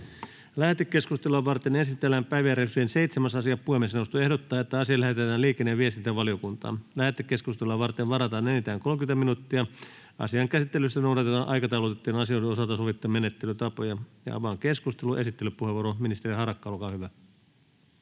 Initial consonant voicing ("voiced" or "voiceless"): voiced